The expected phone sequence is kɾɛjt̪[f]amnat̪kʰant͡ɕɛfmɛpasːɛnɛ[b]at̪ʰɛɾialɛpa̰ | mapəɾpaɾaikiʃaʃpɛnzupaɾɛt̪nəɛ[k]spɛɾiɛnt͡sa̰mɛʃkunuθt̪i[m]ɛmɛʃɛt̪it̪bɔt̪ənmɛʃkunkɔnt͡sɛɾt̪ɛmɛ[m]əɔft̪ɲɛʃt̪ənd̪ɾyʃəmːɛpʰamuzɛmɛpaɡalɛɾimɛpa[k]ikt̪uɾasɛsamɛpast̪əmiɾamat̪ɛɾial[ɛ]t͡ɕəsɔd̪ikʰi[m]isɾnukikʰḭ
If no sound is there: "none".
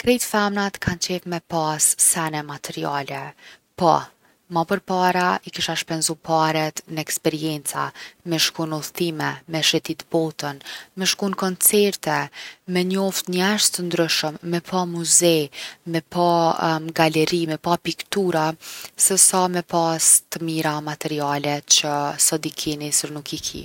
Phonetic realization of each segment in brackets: f, m, k, m, ɲ, p, ɛ, n

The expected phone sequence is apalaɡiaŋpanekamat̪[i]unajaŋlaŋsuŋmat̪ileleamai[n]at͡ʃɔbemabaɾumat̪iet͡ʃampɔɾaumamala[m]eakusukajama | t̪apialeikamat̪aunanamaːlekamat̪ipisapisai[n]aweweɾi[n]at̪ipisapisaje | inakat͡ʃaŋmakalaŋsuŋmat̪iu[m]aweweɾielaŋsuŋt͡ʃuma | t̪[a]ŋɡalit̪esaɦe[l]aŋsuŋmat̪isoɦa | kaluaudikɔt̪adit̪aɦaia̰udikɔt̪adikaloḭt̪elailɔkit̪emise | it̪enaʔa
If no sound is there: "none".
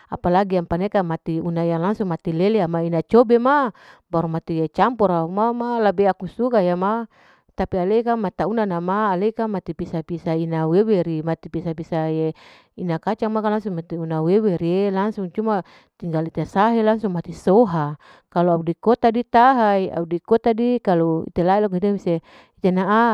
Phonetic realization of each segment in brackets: i, n, b, n, m, n, i, l

